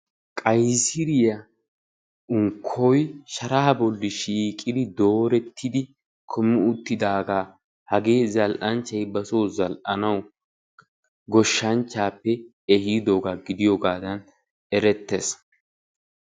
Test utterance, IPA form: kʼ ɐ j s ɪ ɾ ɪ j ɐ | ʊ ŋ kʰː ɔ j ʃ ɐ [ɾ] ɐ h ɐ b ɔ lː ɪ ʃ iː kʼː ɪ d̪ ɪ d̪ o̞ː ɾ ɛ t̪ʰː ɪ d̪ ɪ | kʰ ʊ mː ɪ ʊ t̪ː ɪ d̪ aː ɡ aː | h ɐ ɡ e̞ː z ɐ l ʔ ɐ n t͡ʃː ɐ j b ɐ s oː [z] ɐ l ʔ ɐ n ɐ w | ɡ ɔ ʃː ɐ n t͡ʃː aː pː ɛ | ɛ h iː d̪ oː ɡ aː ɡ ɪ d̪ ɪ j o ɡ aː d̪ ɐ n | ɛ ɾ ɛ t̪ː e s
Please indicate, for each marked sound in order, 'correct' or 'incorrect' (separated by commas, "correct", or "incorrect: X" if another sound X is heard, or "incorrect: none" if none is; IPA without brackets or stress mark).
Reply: correct, correct